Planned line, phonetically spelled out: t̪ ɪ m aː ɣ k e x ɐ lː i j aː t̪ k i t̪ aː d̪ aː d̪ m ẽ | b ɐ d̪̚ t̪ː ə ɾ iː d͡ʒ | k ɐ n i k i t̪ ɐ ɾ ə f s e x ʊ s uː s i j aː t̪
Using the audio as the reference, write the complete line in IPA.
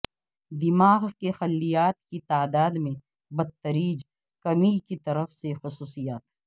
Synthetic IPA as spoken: d̪ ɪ m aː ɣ k e x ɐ lː i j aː t̪ k i t̪ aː d̪ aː d̪ m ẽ | b ɐ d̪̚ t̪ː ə ɾ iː d͡ʒ | k ɐ m i k i t̪ ɐ ɾ ə f s e x ʊ s uː s i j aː t̪